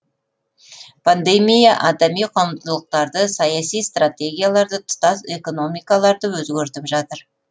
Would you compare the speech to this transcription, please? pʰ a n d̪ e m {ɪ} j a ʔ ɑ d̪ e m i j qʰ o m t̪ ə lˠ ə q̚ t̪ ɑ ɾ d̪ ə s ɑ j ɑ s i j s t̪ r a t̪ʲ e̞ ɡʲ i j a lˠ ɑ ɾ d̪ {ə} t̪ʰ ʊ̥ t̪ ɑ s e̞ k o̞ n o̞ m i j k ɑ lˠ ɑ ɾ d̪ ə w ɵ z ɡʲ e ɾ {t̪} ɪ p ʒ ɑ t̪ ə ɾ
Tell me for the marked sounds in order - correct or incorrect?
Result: incorrect: i, correct, correct

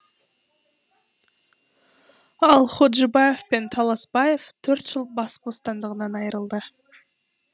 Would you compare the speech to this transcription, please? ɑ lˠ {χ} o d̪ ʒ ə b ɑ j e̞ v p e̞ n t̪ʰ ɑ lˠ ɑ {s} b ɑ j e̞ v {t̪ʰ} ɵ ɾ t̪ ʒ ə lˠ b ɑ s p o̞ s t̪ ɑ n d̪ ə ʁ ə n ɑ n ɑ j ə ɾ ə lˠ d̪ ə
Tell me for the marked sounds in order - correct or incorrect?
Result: correct, correct, correct

